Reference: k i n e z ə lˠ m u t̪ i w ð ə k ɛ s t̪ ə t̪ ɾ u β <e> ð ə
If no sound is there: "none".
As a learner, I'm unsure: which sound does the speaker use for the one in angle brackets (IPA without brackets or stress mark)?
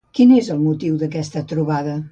a